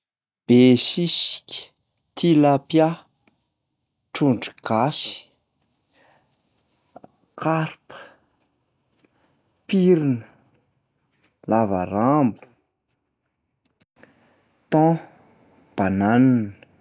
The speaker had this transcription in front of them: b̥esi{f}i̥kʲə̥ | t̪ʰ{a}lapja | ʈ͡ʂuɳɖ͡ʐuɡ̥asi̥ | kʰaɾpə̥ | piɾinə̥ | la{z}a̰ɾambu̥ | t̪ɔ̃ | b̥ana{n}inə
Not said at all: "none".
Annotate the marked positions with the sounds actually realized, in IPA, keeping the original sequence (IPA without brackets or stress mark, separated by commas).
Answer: s, i, v, n